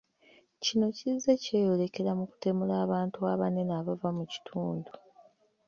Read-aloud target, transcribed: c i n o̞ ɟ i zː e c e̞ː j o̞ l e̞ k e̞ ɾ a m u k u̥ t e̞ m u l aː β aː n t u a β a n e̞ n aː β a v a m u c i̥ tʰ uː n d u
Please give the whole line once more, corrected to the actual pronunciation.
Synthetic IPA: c i n o̞ c i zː e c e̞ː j o̞ l e̞ k e̞ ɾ a m u k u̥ t e̞ m u l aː β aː n t u a β a n e̞ n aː β a v a m u c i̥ tʰ uː n d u